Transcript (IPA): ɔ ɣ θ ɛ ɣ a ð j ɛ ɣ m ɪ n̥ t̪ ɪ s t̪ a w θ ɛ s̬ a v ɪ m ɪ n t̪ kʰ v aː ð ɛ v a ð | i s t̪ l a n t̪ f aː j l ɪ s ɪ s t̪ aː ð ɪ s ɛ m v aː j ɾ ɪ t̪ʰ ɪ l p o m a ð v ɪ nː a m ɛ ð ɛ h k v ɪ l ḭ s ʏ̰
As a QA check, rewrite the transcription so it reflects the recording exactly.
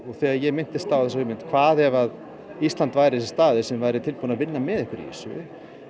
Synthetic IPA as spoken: ɔ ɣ θ ɛ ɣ a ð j ɛ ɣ m ɪ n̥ t̪ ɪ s t̪ a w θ ɛ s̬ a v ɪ m ɪ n t̪ kʰ v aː ð ɛ v a ð | i s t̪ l a n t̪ v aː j ɾ ɪ s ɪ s t̪ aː ð ɪ s ɛ m v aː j ɾ ɪ t̪ʰ ɪ l p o n a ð v ɪ nː a m ɛ ð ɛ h k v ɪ ɾ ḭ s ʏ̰